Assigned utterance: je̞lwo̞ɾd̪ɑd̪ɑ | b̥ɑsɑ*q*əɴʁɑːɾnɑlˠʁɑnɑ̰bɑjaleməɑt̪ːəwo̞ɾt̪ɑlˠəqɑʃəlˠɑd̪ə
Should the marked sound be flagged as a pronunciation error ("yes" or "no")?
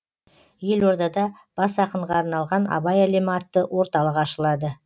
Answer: no